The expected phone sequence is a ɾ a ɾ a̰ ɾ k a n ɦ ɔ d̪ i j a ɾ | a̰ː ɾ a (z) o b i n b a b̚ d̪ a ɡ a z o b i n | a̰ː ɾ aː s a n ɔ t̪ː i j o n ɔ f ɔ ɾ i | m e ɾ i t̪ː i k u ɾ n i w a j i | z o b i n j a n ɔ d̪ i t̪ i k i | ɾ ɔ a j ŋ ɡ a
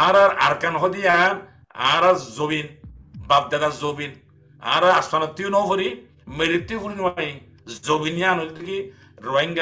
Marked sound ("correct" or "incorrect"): correct